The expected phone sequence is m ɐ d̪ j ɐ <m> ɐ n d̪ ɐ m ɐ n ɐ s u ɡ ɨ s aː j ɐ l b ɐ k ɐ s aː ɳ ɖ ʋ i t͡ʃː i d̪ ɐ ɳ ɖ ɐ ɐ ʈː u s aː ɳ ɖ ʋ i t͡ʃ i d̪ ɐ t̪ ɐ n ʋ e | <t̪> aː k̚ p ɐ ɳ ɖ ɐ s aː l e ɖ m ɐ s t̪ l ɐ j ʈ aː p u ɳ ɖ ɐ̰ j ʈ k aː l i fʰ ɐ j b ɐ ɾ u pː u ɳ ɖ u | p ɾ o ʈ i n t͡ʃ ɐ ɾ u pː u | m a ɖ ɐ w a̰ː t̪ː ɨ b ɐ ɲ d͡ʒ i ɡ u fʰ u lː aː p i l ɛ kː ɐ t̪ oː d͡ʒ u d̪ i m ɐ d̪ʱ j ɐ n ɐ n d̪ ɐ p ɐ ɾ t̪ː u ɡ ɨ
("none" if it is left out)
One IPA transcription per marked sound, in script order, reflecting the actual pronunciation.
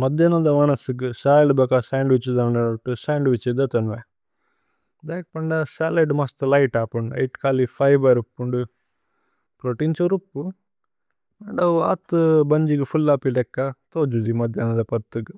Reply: n, d̪

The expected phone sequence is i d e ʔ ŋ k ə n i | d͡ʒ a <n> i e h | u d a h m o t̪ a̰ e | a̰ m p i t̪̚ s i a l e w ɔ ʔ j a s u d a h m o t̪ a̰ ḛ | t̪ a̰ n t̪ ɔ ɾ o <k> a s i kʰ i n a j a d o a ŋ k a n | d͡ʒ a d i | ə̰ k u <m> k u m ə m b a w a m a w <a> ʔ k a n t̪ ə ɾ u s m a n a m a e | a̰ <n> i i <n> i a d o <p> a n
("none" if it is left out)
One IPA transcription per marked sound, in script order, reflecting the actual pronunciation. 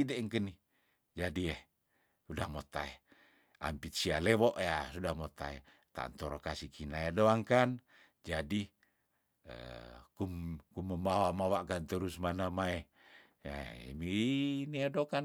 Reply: d, k, m, a, m, n, k

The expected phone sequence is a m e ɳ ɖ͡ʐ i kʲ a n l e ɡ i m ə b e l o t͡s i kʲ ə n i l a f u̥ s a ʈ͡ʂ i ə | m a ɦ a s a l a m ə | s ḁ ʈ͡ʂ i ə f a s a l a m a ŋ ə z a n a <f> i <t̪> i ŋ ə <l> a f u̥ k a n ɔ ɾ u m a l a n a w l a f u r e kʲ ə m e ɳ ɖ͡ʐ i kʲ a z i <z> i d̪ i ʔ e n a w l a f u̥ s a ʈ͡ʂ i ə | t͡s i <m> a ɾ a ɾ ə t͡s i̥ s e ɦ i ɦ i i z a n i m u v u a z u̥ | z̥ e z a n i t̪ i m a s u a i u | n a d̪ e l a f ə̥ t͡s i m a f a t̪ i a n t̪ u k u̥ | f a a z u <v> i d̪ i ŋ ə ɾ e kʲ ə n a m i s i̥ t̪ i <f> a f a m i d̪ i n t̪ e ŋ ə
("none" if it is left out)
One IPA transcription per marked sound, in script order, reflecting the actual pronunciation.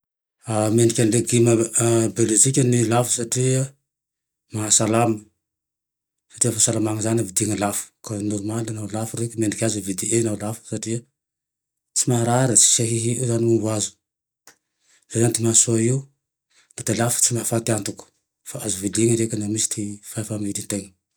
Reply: v, d̪, l, v, m, v, f

